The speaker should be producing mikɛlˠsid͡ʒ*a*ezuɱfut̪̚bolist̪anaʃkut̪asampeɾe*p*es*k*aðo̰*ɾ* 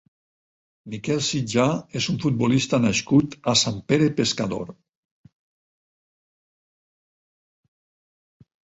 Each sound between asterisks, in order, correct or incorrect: correct, correct, correct, correct

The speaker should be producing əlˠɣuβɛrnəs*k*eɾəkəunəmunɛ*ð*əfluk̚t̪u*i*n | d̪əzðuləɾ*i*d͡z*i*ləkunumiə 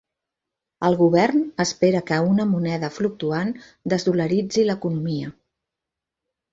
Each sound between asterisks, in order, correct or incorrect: incorrect, correct, incorrect, correct, correct

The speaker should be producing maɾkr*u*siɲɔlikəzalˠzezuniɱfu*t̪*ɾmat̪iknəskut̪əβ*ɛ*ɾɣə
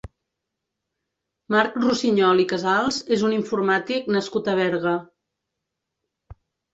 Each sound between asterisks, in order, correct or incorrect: correct, incorrect, correct

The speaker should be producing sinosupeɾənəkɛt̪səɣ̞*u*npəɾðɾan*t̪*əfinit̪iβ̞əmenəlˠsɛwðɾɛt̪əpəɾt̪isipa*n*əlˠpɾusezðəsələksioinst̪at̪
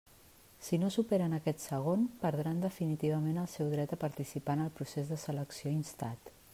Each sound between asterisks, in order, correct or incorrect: incorrect, incorrect, correct

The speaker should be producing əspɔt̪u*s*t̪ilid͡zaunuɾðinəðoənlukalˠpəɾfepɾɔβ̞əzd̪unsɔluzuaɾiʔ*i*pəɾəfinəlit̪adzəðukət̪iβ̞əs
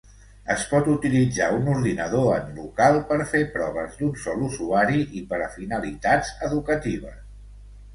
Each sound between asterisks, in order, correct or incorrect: incorrect, correct

